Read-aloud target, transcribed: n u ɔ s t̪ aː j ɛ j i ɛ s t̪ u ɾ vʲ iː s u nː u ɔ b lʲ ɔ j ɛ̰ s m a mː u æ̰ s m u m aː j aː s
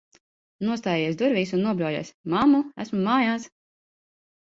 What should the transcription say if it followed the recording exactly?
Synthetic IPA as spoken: n u ɔ s t̪ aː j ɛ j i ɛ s d̪ u ɾ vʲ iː s u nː u ɔ b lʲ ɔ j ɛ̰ s m a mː u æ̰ s m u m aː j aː s